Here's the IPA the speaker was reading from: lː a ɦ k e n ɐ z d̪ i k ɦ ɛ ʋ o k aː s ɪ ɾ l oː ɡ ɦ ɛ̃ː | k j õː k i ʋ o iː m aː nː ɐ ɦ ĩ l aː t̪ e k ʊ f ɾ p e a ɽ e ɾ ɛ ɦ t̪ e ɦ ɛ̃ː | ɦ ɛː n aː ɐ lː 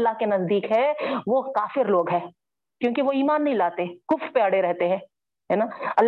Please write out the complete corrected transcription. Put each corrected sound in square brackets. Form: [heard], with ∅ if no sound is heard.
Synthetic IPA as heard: lː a ɦ k e n ɐ z d̪ [iː] k ɦ ɛ ʋ o k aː [f] ɪ ɾ l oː ɡ ɦ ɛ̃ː | k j õː k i ʋ o iː m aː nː ɐ ɦ ĩ l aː t̪ e k ʊ f ɾ p e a ɽ e ɾ ɛ ɦ t̪ e ɦ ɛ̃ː | ɦ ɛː n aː ɐ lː